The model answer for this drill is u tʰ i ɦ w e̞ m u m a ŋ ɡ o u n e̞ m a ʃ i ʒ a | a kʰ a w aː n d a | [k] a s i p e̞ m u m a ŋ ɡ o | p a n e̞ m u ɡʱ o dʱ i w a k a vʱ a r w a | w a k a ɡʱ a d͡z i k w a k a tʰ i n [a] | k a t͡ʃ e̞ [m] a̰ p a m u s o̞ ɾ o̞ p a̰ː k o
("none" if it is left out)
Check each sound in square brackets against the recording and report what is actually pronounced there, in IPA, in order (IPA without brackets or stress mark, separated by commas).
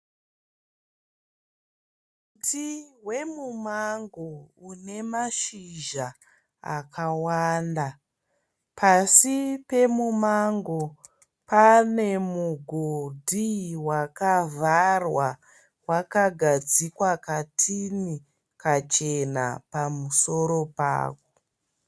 p, i, n